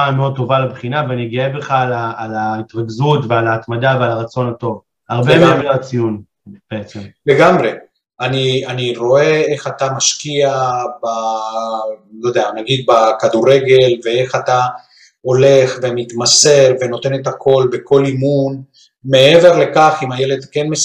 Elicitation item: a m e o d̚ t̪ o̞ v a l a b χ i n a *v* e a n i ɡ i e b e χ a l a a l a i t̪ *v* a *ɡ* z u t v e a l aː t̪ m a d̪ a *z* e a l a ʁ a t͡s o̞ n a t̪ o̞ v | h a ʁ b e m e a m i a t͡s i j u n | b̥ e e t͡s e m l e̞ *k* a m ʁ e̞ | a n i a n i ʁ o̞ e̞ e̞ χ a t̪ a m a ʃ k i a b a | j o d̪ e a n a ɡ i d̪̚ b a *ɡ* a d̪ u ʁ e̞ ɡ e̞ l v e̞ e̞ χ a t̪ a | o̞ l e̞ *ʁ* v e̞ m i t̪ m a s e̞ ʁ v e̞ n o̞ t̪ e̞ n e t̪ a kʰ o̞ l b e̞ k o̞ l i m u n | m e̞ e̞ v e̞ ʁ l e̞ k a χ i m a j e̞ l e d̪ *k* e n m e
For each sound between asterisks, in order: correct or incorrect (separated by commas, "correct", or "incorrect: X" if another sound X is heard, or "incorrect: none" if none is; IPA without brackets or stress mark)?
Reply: correct, incorrect: ʁ, correct, incorrect: v, incorrect: ɡ, incorrect: k, incorrect: χ, correct